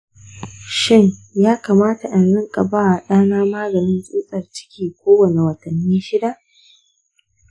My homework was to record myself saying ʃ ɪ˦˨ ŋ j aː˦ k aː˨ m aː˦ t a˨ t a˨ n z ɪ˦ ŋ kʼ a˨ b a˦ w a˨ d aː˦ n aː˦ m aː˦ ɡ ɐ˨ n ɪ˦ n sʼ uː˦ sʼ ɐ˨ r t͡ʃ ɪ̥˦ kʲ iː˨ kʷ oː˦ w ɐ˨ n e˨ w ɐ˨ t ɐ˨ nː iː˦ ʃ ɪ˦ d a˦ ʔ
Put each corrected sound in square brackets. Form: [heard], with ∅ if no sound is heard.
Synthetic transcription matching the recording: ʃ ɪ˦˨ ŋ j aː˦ k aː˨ m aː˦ t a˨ [ʔ] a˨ n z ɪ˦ ŋ kʼ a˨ b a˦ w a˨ [ɗ] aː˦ n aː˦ m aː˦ ɡ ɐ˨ n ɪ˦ n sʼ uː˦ sʼ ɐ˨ r t͡ʃ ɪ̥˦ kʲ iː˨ kʷ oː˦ w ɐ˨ n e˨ w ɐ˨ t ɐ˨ nː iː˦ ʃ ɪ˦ d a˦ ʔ

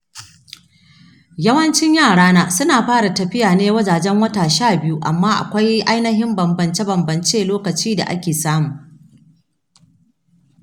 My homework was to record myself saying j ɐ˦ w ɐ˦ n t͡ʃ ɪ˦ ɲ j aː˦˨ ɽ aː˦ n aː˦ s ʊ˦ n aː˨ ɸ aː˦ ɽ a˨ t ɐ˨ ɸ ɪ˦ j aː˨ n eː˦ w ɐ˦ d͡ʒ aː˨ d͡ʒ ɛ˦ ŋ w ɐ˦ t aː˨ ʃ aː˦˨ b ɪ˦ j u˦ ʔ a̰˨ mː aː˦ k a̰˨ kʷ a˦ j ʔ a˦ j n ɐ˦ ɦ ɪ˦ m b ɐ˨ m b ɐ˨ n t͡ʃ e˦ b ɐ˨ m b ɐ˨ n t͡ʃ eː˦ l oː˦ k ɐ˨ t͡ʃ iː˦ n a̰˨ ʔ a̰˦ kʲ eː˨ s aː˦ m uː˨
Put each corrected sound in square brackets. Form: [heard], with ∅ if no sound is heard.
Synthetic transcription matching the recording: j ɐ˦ w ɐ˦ n t͡ʃ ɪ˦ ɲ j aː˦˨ ɽ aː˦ n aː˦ s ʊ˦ n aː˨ ɸ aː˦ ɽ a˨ t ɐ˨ ɸ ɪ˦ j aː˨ n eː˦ w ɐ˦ d͡ʒ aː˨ d͡ʒ ɛ˦ ŋ w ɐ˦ t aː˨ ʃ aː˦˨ b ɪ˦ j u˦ ʔ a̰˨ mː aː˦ [ʔ] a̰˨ kʷ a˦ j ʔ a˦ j n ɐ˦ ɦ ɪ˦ m b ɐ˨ m b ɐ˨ n t͡ʃ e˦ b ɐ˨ m b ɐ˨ n t͡ʃ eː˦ l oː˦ k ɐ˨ t͡ʃ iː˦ [d] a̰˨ ʔ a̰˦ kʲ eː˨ s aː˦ m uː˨

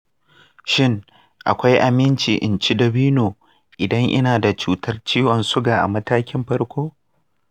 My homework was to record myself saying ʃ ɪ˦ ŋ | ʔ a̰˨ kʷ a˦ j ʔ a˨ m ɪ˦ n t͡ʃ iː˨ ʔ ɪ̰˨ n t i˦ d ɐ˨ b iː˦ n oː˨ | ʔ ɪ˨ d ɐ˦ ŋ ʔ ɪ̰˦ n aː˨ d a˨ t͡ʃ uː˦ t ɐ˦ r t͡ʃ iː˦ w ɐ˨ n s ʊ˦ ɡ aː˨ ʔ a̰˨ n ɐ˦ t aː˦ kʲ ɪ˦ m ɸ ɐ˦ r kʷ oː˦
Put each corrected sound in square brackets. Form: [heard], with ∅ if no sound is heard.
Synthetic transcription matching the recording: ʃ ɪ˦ ŋ | ʔ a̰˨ kʷ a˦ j ʔ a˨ m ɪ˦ n t͡ʃ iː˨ ʔ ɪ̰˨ n [t͡ʃ] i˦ d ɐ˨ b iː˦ n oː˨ | ʔ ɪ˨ d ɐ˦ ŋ ʔ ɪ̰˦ n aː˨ d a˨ t͡ʃ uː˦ t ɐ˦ r t͡ʃ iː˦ w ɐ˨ n s ʊ˦ ɡ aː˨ ʔ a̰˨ [m] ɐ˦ t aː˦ kʲ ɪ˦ m ɸ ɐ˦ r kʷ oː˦

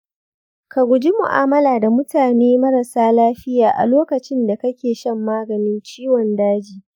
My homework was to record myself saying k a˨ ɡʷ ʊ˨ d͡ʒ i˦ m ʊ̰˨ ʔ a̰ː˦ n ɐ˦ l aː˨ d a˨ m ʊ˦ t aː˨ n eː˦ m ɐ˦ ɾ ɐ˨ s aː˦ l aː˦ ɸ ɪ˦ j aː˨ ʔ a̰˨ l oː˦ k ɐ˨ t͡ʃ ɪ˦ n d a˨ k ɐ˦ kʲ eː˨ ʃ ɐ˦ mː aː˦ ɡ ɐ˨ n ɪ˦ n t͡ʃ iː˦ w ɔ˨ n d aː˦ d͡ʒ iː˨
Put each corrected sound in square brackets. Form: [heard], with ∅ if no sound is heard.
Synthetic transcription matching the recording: k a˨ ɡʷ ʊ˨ d͡ʒ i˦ m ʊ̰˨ ʔ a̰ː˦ [m] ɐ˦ l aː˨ d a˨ m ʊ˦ t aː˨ n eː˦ m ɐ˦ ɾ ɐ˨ s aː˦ l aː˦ ɸ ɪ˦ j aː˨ ʔ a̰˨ l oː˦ k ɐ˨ t͡ʃ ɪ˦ n d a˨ k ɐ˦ kʲ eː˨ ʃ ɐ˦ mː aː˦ ɡ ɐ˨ n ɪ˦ n t͡ʃ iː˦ w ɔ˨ n d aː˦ d͡ʒ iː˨

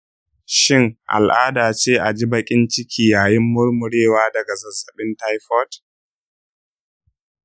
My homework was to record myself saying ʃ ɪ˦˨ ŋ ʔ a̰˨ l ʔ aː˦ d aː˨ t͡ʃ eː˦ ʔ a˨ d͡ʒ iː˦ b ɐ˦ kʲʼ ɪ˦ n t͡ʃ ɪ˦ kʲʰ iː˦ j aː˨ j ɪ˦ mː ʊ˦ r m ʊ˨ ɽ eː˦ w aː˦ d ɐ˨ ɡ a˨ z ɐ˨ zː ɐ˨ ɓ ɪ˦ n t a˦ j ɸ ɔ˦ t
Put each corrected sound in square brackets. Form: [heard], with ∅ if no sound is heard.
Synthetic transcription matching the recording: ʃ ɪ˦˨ ŋ ʔ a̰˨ l ʔ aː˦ d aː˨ t͡ʃ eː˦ ʔ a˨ d͡ʒ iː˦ b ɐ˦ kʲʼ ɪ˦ n t͡ʃ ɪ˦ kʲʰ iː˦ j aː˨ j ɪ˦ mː ʊ˦ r m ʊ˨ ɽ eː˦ w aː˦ d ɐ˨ ɡ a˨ z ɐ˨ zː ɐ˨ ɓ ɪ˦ n t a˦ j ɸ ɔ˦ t

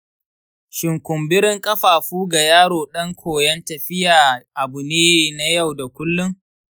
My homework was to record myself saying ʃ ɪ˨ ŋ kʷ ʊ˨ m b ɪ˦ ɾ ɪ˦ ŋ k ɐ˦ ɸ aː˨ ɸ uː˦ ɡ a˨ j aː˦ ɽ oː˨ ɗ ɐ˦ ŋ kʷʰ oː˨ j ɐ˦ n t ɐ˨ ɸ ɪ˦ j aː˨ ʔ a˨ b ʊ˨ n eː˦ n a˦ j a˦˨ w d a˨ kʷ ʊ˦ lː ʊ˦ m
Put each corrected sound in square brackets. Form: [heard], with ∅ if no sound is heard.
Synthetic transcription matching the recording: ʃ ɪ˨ ŋ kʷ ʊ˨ m b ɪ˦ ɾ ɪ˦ ŋ [kʼ] ɐ˦ ɸ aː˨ ɸ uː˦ ɡ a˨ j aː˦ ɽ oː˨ ɗ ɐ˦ ŋ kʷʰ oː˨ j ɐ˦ n t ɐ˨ ɸ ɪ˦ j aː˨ ʔ a˨ b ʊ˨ n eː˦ n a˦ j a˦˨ w d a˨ kʷ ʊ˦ lː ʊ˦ [ŋ]

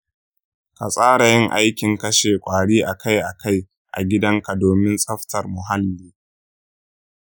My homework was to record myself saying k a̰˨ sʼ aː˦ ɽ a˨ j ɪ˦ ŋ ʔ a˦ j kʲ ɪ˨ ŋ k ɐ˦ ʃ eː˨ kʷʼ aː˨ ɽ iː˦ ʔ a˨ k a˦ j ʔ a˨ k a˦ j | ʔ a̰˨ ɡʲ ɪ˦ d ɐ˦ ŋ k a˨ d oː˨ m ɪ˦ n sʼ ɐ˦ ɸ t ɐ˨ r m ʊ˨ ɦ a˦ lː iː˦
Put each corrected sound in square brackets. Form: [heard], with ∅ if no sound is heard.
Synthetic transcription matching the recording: k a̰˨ sʼ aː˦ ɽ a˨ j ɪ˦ ŋ ʔ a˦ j kʲ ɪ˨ ŋ k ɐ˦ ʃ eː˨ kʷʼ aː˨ ɽ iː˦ ʔ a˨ k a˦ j ʔ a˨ k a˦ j | ʔ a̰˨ ɡʲ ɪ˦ d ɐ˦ ŋ k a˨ d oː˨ m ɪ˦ n sʼ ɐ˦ ɸ t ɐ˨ r m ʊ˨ ɦ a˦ lː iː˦

